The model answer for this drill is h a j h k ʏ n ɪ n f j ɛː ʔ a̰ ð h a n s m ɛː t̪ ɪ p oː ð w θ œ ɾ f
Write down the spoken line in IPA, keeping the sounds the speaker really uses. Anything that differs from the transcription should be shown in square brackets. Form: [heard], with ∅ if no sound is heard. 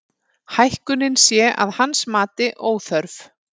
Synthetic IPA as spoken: h a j h k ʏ n ɪ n [s] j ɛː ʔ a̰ ð h a n s m [aː] t̪ ɪ [ʔ] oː [∅] w θ œ ɾ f